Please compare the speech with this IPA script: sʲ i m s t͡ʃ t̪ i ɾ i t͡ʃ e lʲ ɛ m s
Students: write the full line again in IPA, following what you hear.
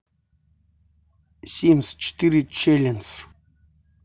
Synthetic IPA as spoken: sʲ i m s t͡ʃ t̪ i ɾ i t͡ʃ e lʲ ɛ n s